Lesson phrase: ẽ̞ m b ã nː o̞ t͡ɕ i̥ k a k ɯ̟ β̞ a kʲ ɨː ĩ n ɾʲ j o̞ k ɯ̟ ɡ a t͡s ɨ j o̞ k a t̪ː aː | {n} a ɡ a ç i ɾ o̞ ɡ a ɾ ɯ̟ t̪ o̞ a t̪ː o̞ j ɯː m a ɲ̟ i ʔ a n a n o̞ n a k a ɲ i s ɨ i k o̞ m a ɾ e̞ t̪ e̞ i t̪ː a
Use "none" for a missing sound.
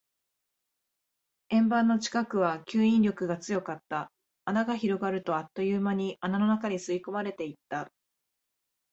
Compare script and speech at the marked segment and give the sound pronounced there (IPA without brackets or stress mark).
n